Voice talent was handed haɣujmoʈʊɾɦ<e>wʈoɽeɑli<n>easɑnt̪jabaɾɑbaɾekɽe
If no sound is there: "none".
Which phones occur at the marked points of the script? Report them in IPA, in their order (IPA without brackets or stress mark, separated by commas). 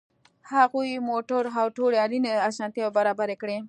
a, n